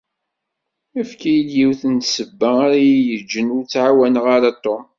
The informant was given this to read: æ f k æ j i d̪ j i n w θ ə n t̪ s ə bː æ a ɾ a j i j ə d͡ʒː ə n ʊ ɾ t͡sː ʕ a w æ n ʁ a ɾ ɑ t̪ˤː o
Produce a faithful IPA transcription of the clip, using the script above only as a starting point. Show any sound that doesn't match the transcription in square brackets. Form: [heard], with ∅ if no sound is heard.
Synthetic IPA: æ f k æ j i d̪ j i [∅] w θ ə n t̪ s ə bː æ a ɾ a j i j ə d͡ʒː ə n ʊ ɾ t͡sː ʕ a w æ n ʁ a ɾ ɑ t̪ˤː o